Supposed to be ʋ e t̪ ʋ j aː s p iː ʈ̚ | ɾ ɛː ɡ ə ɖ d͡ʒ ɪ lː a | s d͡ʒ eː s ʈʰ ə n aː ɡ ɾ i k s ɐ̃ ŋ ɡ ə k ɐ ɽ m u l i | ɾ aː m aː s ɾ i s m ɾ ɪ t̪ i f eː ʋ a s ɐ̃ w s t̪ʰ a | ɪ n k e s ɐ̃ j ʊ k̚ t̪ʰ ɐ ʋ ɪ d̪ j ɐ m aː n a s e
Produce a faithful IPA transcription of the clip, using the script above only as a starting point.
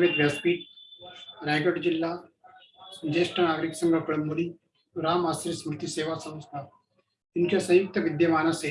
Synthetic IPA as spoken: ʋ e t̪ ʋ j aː s p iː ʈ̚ | ɾ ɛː ɡ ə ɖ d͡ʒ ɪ lː a | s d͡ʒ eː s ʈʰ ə n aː ɡ ɾ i k s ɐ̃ ŋ ɡ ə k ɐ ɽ m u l i | ɾ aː m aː s ɾ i s m ɾ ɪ t̪ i s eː ʋ a s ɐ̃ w s t̪ʰ a | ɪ n k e s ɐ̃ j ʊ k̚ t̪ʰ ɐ ʋ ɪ d̪ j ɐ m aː n a s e

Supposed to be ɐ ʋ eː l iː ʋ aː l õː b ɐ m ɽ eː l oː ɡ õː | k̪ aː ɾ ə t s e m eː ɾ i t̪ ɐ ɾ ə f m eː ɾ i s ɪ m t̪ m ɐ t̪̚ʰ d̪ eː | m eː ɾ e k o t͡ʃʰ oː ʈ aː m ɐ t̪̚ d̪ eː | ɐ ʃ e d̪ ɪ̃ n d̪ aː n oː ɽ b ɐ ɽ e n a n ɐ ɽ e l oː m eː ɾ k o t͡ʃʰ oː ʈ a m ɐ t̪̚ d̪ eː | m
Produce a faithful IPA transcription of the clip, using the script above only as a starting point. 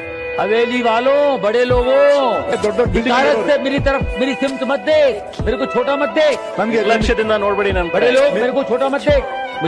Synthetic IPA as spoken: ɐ ʋ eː l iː ʋ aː l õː b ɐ ɽ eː l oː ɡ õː | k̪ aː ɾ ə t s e m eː ɾ i t̪ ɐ ɾ ə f m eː ɾ i s ɪ m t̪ m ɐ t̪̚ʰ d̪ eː | m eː ɾ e k o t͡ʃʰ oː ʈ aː m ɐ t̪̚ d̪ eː | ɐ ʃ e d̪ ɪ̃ n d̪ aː n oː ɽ b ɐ ɽ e n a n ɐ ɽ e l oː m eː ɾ k o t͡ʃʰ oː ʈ a m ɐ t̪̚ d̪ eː | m

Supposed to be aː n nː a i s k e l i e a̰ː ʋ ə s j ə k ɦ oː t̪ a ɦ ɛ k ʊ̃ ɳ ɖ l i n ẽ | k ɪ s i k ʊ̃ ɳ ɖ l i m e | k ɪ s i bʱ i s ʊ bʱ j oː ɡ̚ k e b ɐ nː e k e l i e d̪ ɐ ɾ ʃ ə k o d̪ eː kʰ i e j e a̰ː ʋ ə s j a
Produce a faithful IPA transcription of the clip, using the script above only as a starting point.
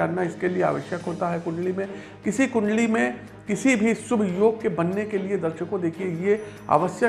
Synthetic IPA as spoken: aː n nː a ɪ s k e l i e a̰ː ʋ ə ʃ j ə k ɦ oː t̪ a ɦ ɛ k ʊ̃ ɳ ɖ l i m ẽ | k ɪ s i k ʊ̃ ɳ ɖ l i m ẽ | k ɪ s i bʱ i s ʊ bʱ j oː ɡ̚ k e b ɐ nː e k e l i e d̪ ɐ ɾ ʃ ə k o d̪ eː kʰ i e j e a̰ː ʋ ə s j ə

